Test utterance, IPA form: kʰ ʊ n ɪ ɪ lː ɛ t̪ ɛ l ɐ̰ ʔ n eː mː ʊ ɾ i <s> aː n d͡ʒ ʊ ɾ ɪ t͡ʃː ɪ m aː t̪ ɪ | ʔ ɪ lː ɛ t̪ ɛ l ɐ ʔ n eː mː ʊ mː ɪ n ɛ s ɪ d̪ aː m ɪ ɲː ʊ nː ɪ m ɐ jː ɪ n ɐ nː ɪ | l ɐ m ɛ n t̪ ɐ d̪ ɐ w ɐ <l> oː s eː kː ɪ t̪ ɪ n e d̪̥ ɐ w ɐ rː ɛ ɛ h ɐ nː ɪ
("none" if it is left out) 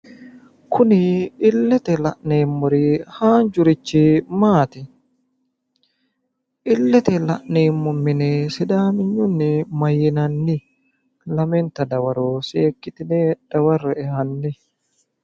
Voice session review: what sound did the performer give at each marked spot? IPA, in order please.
h, ɾ

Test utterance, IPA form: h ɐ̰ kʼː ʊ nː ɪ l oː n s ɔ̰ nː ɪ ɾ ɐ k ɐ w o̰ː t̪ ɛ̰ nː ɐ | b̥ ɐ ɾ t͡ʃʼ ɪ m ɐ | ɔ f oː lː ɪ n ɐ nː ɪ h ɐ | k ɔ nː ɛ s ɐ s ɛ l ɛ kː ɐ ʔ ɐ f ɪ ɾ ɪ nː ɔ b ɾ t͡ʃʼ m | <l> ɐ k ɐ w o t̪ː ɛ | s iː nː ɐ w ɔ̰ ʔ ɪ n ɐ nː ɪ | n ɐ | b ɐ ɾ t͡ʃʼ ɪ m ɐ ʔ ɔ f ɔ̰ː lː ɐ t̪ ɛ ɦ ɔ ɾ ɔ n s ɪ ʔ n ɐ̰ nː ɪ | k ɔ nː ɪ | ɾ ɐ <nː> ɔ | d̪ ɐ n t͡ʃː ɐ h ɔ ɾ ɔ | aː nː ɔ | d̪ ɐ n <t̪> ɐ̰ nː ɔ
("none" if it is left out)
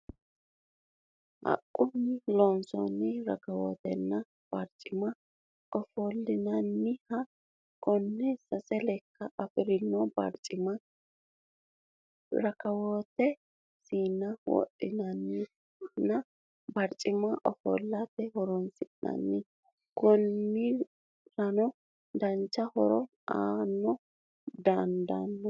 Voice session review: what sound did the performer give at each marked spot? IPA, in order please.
ɾ, n, d̪

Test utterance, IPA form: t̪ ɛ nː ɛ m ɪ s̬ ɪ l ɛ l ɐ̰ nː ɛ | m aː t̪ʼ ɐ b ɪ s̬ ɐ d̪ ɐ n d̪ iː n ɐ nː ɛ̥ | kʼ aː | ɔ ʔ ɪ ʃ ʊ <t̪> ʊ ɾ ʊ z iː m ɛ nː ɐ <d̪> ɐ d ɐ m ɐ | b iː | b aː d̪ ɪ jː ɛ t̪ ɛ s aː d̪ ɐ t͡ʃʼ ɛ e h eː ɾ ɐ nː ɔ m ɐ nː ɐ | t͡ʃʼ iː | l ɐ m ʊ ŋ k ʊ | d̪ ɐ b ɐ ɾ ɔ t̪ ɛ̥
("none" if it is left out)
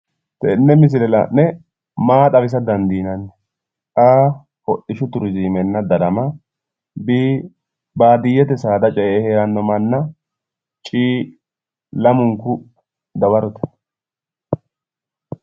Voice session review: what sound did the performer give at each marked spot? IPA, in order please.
t̪, d̪

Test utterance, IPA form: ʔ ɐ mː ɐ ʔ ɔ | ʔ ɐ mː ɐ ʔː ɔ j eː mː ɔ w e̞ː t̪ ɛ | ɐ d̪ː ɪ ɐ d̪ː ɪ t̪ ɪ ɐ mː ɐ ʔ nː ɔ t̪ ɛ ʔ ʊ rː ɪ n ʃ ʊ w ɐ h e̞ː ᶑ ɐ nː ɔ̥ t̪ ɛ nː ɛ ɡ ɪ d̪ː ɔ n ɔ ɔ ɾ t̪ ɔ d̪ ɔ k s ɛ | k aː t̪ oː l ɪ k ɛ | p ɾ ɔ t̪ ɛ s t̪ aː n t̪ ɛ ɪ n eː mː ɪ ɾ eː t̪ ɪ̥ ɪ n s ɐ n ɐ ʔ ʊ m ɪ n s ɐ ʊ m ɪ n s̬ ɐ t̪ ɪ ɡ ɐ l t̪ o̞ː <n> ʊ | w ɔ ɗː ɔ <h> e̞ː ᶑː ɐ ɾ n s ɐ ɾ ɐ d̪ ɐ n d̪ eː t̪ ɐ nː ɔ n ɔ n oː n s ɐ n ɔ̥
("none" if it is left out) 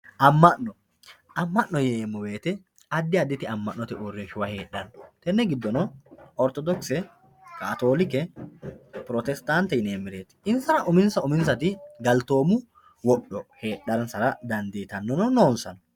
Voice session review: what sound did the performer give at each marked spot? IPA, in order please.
m, h

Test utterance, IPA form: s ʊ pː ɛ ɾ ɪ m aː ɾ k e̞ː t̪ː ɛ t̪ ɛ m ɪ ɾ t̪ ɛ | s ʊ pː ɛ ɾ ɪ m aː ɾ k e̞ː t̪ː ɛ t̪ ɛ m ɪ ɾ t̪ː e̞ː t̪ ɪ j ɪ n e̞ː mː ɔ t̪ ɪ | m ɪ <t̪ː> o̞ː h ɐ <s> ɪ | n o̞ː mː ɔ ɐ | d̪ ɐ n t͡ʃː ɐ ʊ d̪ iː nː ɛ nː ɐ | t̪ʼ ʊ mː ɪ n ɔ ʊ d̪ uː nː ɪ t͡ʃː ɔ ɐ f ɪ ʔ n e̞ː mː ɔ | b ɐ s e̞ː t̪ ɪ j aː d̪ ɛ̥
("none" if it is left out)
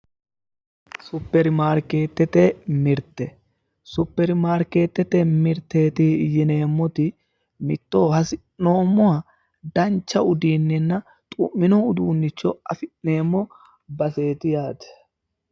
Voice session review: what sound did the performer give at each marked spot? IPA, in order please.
t̪ː, s

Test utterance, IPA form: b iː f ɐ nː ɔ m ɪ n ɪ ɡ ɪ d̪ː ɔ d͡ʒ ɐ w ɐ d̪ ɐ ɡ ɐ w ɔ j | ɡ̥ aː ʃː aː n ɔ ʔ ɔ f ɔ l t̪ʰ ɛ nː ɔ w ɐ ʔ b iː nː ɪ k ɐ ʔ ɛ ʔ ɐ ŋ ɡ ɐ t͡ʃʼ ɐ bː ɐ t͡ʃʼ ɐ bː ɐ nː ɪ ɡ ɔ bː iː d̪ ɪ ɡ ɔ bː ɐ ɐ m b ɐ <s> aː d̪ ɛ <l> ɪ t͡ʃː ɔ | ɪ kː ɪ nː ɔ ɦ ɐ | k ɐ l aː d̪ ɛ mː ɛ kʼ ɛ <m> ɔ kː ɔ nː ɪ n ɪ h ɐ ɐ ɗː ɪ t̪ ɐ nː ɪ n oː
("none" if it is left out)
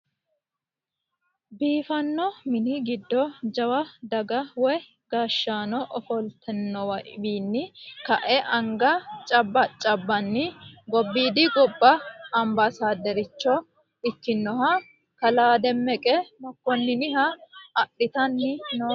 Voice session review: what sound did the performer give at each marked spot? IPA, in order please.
s, ɾ, m

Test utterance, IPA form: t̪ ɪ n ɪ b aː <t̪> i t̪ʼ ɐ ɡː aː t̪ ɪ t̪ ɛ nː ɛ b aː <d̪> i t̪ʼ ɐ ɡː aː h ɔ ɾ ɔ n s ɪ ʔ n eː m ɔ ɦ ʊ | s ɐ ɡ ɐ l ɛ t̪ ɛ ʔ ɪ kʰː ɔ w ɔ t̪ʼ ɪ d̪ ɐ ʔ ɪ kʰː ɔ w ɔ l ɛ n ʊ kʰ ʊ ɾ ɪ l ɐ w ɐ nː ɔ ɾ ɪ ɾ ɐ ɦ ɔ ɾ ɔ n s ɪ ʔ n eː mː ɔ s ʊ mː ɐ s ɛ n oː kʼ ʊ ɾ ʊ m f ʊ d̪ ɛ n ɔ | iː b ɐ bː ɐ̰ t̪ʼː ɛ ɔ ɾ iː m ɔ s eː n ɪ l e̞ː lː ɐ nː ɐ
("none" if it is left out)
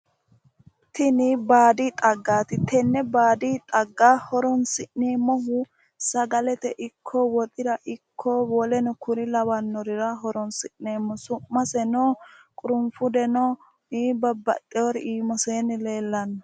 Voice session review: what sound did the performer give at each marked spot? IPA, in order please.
d̪, d̪

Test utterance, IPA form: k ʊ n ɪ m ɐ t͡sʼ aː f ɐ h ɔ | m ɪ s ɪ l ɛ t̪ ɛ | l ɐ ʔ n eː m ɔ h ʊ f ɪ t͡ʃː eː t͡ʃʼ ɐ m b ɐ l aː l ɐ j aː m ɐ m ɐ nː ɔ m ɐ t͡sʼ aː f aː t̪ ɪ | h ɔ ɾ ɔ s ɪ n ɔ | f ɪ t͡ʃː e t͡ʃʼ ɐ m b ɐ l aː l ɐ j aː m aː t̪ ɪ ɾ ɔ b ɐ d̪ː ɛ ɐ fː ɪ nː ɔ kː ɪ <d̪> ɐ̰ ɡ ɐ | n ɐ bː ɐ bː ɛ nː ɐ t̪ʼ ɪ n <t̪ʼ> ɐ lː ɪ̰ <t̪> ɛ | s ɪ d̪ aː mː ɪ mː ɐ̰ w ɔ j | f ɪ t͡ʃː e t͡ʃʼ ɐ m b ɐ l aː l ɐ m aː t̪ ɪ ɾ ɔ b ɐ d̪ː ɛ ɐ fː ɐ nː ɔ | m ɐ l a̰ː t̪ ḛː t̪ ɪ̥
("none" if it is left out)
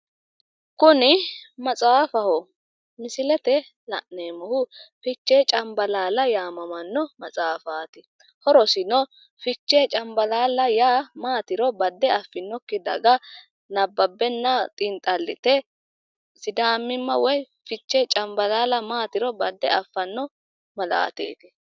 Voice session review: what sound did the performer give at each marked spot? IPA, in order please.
d̪, t̪ʼ, t̪

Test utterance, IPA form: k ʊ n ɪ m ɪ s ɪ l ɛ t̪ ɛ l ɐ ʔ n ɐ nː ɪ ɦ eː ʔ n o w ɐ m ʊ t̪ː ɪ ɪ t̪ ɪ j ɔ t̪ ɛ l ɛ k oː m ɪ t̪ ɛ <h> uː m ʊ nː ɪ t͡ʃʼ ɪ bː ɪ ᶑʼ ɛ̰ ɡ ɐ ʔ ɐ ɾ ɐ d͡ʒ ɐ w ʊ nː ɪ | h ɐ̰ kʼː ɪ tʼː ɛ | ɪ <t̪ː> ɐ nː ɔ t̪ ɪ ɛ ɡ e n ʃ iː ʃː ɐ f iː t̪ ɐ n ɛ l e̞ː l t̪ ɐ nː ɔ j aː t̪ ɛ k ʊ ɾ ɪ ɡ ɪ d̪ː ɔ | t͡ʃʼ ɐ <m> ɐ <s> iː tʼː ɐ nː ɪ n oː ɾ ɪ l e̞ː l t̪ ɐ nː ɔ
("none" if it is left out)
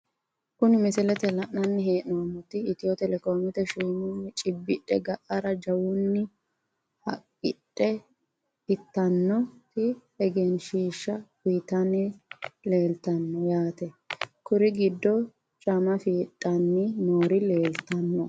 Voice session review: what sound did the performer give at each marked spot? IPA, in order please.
ʃ, t̪ː, m, f

